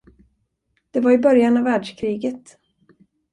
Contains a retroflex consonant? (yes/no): yes